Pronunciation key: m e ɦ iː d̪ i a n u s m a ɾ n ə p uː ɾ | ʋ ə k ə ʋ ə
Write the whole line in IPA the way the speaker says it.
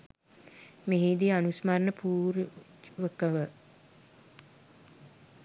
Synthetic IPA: m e ɦ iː d̪ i a n u s m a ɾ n ə p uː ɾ | ʋ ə k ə ʋ ə